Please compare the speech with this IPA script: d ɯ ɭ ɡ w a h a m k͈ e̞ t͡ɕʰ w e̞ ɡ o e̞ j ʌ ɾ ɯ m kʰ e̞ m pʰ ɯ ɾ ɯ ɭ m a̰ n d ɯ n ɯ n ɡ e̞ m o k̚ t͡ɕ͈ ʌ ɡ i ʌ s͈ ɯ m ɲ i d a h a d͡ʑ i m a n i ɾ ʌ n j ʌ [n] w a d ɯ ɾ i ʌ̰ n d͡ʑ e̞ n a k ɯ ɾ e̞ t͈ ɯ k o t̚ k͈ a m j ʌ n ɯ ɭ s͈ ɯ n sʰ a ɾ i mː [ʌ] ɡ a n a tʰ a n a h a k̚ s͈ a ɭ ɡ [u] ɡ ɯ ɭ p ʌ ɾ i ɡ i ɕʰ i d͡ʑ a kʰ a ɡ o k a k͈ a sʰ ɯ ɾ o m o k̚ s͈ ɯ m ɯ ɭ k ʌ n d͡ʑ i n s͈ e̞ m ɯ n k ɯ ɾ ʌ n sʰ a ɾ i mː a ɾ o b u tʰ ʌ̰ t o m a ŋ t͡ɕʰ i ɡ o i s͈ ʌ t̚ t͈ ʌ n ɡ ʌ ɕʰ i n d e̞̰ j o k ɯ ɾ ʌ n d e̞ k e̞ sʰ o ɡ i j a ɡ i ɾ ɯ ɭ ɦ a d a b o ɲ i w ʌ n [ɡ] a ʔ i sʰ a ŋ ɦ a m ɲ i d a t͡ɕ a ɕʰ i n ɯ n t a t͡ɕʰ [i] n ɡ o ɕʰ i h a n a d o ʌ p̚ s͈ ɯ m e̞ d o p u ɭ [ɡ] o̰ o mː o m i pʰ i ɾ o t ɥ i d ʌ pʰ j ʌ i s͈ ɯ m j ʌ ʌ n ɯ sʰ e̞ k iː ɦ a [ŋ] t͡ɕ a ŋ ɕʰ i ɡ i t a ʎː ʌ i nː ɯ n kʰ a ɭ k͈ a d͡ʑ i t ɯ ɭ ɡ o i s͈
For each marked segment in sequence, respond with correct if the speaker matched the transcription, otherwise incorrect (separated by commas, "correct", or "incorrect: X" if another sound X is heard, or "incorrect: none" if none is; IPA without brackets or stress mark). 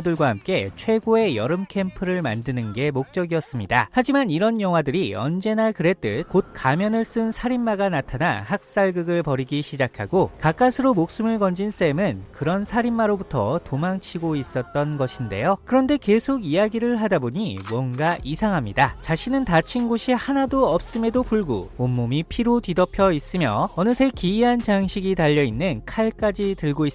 incorrect: ŋ, incorrect: a, incorrect: ɯ, correct, correct, correct, incorrect: n